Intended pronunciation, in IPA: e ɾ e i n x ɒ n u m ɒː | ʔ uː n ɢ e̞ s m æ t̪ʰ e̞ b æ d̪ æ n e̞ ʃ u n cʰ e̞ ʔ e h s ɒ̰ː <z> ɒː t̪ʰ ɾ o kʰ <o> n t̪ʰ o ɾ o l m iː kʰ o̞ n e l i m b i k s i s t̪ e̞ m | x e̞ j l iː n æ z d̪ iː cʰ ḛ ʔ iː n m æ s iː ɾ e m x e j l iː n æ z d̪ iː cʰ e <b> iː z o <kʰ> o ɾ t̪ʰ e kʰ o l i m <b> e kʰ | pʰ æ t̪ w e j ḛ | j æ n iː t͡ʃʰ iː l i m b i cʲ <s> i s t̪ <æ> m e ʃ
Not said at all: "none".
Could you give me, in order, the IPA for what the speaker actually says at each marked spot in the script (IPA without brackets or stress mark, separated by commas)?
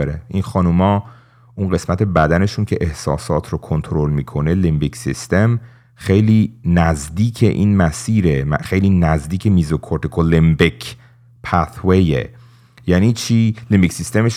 s, o, m, kʰ, b, s, e